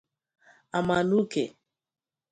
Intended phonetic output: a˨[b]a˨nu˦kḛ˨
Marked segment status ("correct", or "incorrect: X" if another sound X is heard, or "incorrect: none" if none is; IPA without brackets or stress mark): incorrect: m